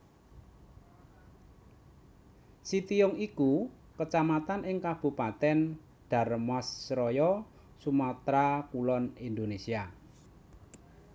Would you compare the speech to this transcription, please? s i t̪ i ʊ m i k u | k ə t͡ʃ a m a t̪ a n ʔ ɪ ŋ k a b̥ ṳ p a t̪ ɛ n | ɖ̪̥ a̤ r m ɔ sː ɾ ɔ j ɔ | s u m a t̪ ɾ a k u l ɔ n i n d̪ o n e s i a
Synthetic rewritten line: s i t̪ i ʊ ŋ i k u | k ə t͡ʃ a m a t̪ a n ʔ ɪ ŋ k a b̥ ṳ p a t̪ ɛ n | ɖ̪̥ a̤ r m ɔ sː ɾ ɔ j ɔ | s u m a t̪ ɾ a k u l ɔ n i n d̪ o n e s i a